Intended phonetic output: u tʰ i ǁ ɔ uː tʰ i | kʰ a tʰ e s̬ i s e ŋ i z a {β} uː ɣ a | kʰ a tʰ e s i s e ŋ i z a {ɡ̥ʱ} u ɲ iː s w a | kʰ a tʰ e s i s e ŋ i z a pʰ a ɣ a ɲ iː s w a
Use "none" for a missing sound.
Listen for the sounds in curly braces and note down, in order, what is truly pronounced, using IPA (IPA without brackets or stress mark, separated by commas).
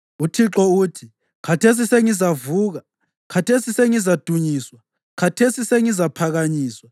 v, d̥ʱ